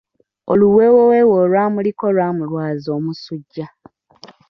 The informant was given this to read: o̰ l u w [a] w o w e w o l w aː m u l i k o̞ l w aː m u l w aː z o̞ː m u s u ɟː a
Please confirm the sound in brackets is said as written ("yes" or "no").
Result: no